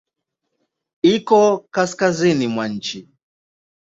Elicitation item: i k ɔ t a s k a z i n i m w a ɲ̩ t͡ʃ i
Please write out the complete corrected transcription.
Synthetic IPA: i k ɔ k a s k a z i n i m w a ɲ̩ t͡ʃ i